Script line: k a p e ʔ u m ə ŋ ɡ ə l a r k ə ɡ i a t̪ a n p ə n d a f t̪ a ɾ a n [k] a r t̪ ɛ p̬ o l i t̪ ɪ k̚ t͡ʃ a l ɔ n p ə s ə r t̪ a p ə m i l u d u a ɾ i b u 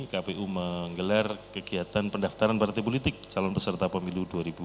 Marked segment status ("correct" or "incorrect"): incorrect